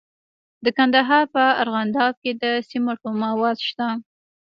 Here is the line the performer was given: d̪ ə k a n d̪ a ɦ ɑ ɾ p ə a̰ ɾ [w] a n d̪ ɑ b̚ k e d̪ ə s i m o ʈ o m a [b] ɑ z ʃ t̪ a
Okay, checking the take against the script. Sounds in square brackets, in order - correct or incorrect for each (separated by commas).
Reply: incorrect, incorrect